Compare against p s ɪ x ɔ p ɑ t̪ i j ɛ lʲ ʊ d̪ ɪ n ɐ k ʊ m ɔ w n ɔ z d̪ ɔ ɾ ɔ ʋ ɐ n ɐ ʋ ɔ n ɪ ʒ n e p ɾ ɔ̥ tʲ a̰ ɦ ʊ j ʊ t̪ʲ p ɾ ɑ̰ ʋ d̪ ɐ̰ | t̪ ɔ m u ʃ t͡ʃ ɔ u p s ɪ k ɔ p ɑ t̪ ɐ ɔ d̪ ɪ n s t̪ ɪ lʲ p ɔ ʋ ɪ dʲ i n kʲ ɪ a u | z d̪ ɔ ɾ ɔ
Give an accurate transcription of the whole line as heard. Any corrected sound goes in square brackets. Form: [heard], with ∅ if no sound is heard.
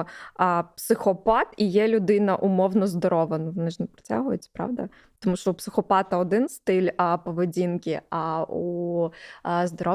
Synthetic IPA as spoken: p s ɪ x ɔ p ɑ t̪ i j ɛ lʲ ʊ d̪ ɪ n ɐ [ʔ] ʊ m ɔ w n ɔ z d̪ ɔ ɾ ɔ ʋ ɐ n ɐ ʋ ɔ n ɪ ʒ n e p ɾ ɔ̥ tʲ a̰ ɦ ʊ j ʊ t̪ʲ p ɾ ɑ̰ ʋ d̪ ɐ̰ | t̪ ɔ m u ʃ t͡ʃ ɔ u p s ɪ [x] ɔ p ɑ t̪ ɐ ɔ d̪ ɪ n s t̪ ɪ lʲ p ɔ ʋ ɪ dʲ i n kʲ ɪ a u | z d̪ ɔ ɾ ɔ